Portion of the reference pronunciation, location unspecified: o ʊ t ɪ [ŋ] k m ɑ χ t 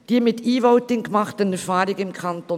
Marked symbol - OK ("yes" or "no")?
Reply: yes